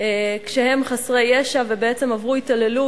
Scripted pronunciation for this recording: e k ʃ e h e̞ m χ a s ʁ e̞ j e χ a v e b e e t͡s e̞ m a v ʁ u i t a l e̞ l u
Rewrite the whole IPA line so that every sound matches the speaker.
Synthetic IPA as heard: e k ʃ e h e̞ m χ a s ʁ e̞ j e ʃ a v e b e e t͡s e̞ m a v ʁ u i t a l e̞ l u